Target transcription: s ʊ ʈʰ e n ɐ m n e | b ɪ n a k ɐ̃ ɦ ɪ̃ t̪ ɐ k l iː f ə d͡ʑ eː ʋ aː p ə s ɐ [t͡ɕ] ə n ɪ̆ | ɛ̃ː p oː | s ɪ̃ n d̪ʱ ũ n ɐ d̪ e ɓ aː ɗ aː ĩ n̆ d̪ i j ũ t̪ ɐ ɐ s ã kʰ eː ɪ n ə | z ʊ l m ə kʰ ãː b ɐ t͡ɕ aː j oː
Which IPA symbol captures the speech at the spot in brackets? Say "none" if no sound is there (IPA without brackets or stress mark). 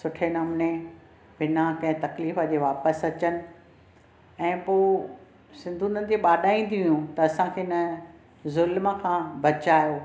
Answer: t͡ɕ